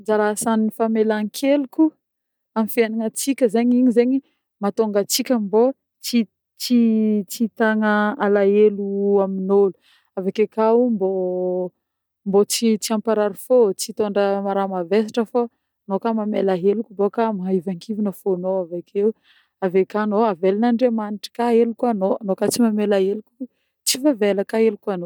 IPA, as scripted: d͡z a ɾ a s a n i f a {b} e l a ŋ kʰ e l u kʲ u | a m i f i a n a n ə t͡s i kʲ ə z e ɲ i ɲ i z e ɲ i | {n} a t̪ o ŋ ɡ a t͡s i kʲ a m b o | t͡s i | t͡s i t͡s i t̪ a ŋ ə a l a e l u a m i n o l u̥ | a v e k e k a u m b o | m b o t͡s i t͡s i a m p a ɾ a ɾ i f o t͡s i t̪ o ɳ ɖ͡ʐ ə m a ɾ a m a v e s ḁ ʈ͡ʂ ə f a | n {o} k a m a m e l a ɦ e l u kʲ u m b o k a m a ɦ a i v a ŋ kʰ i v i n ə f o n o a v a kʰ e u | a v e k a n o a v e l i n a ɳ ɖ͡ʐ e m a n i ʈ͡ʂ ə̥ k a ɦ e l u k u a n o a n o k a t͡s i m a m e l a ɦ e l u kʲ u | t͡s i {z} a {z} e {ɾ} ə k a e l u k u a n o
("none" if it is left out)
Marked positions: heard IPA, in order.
m, m, o, v, v, l

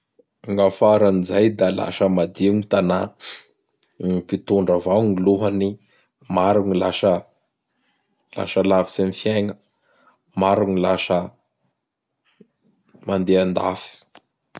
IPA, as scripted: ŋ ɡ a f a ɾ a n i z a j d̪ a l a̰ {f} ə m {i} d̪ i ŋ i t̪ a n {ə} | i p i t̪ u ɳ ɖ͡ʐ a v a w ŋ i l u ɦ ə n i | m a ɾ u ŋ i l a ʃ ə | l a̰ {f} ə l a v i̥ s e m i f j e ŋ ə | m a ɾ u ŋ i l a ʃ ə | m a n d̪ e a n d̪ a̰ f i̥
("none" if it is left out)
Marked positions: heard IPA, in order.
ʃ, a, a, ʃ

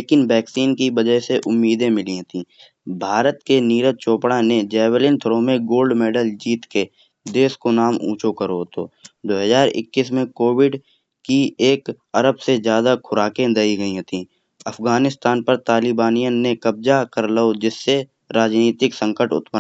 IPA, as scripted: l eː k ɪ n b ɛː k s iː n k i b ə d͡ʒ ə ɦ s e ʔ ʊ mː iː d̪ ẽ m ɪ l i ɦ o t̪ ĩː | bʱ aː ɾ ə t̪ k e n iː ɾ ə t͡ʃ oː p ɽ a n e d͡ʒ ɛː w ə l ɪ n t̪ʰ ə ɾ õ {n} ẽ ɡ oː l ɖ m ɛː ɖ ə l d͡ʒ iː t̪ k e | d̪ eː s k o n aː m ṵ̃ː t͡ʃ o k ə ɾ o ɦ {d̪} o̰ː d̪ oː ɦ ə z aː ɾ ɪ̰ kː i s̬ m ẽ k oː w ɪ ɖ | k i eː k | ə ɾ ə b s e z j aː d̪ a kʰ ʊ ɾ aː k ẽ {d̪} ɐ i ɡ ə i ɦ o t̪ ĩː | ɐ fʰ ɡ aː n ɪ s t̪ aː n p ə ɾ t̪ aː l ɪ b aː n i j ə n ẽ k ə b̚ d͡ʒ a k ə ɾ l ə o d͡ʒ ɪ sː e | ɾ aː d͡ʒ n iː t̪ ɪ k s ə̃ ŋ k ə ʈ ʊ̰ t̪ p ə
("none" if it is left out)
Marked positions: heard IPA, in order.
m, t̪, d̪

